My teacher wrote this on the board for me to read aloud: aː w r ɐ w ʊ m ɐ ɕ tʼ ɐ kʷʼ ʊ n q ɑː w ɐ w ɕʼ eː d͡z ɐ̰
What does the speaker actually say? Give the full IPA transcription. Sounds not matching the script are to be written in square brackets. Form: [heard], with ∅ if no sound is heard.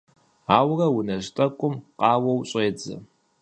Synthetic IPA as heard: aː w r ɐ w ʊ [n] ɐ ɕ tʼ ɐ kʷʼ ʊ [m] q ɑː w ɐ w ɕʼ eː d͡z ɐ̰